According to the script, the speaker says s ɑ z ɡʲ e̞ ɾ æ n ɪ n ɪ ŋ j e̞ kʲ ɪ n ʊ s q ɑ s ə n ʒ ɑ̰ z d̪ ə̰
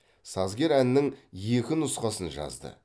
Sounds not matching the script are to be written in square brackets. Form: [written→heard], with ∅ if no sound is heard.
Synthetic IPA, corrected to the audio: s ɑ z ɡʲ e̞ ɾ æ n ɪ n ɪ ŋ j e̞ kʲ ɪ n ʊ s q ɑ s ə n ʒ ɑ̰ z d̪ ə̰